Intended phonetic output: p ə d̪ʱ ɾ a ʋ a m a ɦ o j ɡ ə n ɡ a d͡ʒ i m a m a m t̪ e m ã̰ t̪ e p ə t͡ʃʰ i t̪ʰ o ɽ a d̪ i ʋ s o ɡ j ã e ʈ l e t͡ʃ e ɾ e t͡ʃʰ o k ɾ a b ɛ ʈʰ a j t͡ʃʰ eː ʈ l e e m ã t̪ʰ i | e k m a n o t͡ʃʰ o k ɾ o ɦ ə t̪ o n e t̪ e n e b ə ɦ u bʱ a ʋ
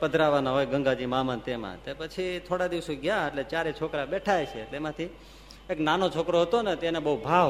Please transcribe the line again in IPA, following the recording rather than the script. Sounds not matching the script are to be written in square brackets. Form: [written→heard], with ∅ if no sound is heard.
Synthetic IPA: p ə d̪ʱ ɾ a ʋ a [m→n] a ɦ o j ɡ ə [n→ŋ] ɡ a d͡ʒ i m a m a [m→n] t̪ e m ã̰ t̪ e p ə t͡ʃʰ i t̪ʰ o ɽ a d̪ i ʋ s o ɡ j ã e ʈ l e t͡ʃ [e→a] ɾ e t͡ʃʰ o k ɾ a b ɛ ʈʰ a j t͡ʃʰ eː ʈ l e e m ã t̪ʰ i | e k [m→n] a n o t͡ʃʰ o k ɾ o ɦ ə t̪ o n e t̪ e n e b ə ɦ u bʱ a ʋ